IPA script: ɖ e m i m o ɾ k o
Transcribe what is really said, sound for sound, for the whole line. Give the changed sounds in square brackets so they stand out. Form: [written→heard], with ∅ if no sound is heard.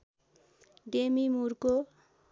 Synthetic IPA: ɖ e m i m [o→u] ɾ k o

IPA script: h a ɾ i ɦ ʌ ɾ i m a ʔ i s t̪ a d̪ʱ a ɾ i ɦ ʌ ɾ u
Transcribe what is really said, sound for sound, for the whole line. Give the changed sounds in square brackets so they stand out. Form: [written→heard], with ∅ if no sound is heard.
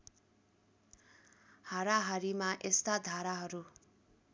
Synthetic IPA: h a ɾ [i→a] ɦ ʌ ɾ i m a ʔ [i→e] s t̪ a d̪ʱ a ɾ [i→a] ɦ ʌ ɾ u

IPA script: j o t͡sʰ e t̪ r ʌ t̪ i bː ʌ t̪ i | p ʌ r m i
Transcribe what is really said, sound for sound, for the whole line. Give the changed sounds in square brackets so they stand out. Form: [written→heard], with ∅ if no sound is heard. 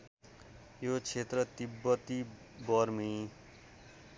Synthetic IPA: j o t͡sʰ e t̪ r ʌ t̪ i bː ʌ t̪ i | [p→b] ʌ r m i

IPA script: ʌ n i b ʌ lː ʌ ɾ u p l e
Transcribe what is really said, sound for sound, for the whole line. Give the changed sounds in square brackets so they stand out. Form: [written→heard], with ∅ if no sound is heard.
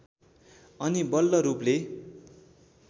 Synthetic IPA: ʌ n i b ʌ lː ʌ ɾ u p l e

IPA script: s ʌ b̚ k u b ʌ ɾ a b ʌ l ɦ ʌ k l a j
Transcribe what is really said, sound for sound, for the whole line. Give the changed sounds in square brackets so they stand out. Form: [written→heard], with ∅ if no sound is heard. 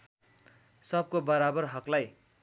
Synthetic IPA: s ʌ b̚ k [u→o] b ʌ ɾ a b ʌ [l→r] ɦ ʌ k l a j

